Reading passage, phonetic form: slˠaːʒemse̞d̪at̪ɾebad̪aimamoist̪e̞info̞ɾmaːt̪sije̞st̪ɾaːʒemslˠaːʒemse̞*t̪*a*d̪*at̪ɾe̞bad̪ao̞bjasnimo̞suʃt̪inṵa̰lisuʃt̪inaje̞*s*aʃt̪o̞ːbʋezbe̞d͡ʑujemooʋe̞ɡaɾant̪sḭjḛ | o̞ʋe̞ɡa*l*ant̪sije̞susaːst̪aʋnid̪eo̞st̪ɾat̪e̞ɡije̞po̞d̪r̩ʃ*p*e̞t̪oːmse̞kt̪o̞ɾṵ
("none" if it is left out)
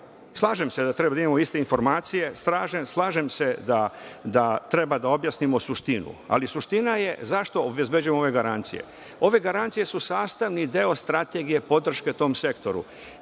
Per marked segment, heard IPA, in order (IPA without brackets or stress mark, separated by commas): d̪, d̪, z, ɾ, k